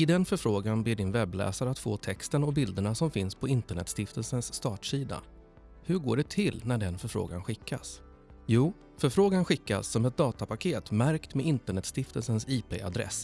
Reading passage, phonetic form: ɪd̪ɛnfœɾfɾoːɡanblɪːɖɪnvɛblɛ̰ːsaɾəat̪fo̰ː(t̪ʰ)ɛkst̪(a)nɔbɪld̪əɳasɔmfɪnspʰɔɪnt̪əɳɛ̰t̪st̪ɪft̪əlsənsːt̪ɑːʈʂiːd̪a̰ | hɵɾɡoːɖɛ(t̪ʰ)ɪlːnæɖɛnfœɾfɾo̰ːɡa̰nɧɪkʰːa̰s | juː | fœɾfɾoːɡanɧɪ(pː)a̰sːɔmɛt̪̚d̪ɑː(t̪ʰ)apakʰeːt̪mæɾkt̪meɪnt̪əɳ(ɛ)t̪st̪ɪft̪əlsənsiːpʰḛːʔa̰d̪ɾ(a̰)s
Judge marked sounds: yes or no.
yes, no, yes, no, no, yes, no

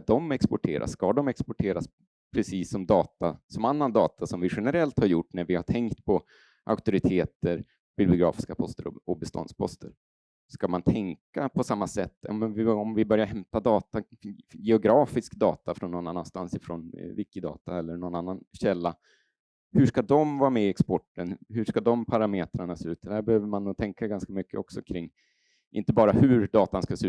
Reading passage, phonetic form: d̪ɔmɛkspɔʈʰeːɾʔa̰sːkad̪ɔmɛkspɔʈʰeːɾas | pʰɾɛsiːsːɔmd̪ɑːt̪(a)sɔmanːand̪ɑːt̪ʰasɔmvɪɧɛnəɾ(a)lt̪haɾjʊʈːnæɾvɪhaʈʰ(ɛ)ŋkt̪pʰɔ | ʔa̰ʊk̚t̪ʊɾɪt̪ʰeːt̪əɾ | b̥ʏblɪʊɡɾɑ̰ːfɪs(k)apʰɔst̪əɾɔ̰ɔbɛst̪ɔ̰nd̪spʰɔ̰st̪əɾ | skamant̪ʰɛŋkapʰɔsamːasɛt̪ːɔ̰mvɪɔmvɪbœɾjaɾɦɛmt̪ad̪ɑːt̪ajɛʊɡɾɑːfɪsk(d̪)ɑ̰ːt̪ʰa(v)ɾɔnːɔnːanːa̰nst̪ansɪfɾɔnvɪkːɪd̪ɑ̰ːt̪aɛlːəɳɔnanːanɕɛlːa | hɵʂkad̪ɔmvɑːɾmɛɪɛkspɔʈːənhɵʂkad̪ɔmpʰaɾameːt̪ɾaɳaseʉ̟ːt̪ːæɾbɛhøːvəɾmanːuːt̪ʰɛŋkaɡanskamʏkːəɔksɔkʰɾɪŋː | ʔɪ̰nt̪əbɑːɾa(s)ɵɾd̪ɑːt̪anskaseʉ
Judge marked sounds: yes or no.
yes, no, yes, yes, yes, no, no

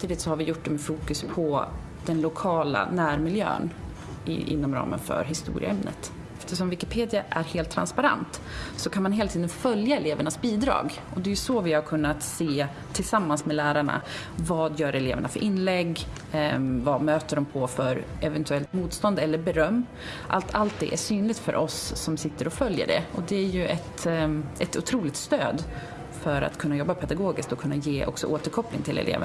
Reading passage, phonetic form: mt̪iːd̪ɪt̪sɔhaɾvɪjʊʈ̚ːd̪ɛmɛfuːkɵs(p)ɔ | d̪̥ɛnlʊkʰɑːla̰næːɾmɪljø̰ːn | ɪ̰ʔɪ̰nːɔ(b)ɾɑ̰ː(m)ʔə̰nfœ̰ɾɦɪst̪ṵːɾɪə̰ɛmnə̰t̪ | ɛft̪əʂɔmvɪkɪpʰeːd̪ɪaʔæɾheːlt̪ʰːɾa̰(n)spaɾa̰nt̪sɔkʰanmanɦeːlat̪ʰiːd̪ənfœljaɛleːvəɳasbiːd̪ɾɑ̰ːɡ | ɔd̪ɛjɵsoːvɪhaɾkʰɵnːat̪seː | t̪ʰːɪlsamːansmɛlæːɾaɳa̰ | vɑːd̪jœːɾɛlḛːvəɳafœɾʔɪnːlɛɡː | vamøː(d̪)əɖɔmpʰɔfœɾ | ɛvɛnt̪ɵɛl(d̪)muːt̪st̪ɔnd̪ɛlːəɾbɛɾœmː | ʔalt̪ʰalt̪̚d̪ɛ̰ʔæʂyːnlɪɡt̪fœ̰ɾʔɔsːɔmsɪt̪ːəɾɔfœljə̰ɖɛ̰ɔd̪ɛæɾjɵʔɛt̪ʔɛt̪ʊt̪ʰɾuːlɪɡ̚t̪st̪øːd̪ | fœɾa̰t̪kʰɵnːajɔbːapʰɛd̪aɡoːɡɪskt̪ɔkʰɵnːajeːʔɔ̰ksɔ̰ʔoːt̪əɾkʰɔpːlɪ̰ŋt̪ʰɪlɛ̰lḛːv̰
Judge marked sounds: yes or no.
no, no, yes, yes, no, no

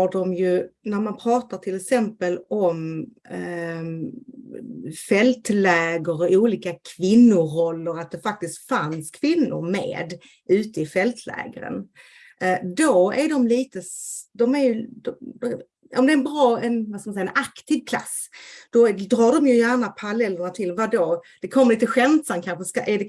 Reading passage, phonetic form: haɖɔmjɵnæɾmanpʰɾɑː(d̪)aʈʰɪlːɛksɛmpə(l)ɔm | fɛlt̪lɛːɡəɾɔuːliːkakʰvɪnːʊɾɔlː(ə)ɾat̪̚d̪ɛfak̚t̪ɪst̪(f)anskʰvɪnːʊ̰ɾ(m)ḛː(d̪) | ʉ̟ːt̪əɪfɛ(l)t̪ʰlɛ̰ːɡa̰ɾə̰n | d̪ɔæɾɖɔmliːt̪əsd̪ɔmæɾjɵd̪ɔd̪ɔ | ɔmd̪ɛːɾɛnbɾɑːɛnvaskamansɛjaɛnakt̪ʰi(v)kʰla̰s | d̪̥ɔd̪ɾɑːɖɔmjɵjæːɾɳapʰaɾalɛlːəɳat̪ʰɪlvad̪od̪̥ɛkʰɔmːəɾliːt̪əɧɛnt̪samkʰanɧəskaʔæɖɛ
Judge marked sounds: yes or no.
no, yes, yes, yes, yes, yes, yes, yes

